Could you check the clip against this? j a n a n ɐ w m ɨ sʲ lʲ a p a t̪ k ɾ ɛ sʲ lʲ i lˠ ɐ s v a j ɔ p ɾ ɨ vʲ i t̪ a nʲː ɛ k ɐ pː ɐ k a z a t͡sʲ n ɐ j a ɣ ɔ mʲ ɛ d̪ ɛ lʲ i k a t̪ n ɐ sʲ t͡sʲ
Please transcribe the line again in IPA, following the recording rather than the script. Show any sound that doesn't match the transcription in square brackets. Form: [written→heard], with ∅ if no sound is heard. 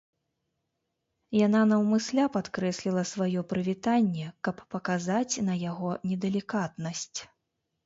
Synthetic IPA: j a n a n ɐ w m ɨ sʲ lʲ a p a t̪ k ɾ ɛ sʲ lʲ i lˠ ɐ s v a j ɔ p ɾ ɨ vʲ i t̪ a nʲː ɛ k ɐ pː ɐ k a z a t͡sʲ n ɐ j a ɣ ɔ [mʲ→nʲ] ɛ d̪ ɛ lʲ i k a t̪ n ɐ sʲ t͡sʲ

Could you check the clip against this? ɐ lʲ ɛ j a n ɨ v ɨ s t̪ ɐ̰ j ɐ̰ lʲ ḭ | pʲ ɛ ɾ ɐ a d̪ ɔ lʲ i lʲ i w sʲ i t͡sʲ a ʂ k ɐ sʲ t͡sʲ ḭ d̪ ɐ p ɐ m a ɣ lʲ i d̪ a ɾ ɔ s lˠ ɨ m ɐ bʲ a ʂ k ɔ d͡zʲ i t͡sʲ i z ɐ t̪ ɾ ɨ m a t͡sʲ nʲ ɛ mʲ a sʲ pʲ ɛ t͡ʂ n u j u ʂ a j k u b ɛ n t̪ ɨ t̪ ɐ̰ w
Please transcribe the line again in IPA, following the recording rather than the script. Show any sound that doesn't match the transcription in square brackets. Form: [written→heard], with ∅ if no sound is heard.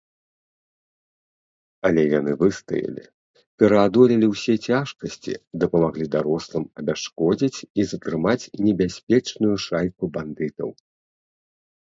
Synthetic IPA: ɐ lʲ ɛ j a n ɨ v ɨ s t̪ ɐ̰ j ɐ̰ lʲ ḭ | pʲ ɛ ɾ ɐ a d̪ ɔ lʲ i lʲ i w sʲ [i→ɛ] t͡sʲ a ʂ k ɐ sʲ t͡sʲ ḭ d̪ ɐ p ɐ m a ɣ lʲ i d̪ a ɾ ɔ s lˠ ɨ m ɐ bʲ a ʂ k ɔ d͡zʲ i t͡sʲ i z ɐ t̪ ɾ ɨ m a t͡sʲ nʲ ɛ [mʲ→bʲ] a sʲ pʲ ɛ t͡ʂ n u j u ʂ a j k u b [ɛ→a] n [t̪→d̪] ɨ t̪ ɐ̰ w

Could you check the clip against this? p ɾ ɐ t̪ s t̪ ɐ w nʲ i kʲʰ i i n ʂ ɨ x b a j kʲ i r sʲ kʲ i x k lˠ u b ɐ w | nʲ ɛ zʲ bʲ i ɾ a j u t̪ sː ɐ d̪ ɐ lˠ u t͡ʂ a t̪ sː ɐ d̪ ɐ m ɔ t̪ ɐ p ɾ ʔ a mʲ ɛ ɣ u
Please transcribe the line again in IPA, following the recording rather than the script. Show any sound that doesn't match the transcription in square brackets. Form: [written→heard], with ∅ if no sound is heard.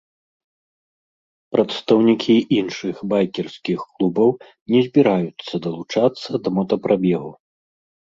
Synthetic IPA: p ɾ ɐ t̪ s t̪ ɐ w nʲ i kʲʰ i i n ʂ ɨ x b a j kʲ [i→ɛ] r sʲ kʲ i x k lˠ u b ɐ w | nʲ ɛ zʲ bʲ i ɾ a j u t̪ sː ɐ d̪ ɐ lˠ u t͡ʂ a t̪ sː ɐ d̪ ɐ m ɔ t̪ ɐ p ɾ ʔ a [mʲ→bʲ] ɛ ɣ u

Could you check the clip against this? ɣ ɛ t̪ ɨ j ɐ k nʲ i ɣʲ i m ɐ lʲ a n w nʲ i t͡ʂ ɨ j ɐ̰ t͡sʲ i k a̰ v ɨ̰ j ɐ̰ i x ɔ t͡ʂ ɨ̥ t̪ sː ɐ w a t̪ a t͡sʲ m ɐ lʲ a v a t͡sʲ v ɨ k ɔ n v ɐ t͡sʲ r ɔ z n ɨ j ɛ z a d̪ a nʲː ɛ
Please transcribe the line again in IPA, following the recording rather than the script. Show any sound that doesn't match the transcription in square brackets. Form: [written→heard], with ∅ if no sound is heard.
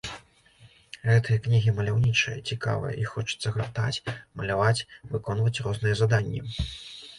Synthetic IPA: ɣ ɛ t̪ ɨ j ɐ k nʲ i ɣʲ i m ɐ lʲ a [n→∅] w nʲ i t͡ʂ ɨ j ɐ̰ t͡sʲ i k a̰ v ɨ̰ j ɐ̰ i x ɔ t͡ʂ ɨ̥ t̪ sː ɐ [w→ɣ] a t̪ a t͡sʲ m ɐ lʲ a v a t͡sʲ v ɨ k ɔ n v ɐ t͡sʲ r ɔ z n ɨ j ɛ z a d̪ a nʲː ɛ

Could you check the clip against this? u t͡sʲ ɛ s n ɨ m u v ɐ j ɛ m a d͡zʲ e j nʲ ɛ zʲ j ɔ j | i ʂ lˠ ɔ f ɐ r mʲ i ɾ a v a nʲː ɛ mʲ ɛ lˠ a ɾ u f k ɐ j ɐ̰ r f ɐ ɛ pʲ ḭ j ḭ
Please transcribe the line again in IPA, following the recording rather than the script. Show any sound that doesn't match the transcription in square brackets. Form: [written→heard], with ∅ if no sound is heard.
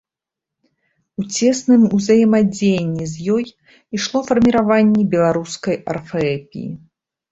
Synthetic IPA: u t͡sʲ ɛ s n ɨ m u [v→z] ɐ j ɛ m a d͡zʲ e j [nʲ→nʲː] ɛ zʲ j ɔ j | i ʂ lˠ ɔ f ɐ r mʲ i ɾ a v a nʲː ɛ [mʲ→bʲ] ɛ lˠ a ɾ u [f→s] k ɐ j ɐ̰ r f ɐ ɛ pʲ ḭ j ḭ

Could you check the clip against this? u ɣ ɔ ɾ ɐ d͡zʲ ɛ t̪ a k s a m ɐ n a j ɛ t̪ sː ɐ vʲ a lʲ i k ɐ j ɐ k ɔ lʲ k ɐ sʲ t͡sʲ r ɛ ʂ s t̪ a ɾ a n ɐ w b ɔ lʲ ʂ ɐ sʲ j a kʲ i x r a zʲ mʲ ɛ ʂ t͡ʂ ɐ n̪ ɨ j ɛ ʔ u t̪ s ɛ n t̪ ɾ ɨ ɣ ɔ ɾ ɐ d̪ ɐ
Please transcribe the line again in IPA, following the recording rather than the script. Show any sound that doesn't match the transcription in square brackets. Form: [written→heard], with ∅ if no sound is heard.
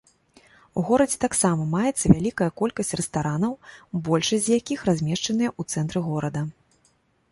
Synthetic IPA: u ɣ ɔ ɾ ɐ d͡zʲ ɛ t̪ a k s a m ɐ [n→m] a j ɛ t̪ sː ɐ vʲ a lʲ i k ɐ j ɐ k ɔ lʲ k ɐ sʲ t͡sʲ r ɛ [ʂ→∅] s t̪ a ɾ a n ɐ w b ɔ lʲ ʂ ɐ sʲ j a kʲ i x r a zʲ mʲ ɛ ʂ t͡ʂ ɐ n̪ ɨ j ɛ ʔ u t̪ s ɛ n t̪ ɾ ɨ ɣ ɔ ɾ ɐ d̪ ɐ

